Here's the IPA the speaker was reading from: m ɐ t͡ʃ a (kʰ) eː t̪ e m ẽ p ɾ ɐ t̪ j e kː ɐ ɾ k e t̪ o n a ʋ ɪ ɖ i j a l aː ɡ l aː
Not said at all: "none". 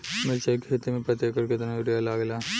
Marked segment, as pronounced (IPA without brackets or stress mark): kʰ